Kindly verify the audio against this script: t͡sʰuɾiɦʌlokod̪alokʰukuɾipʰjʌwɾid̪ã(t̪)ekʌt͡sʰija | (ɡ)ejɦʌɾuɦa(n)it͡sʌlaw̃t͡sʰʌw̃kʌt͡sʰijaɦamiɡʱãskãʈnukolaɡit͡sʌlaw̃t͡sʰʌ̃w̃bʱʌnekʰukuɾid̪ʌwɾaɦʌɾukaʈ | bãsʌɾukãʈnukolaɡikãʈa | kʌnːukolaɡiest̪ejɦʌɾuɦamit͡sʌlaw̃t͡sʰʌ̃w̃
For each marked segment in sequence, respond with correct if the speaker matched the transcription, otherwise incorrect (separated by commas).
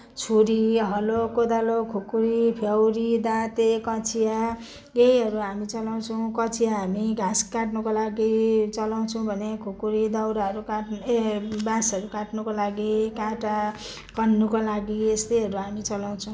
correct, correct, incorrect